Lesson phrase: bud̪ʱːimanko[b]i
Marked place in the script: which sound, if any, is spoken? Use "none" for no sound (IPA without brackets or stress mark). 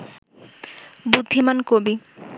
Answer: b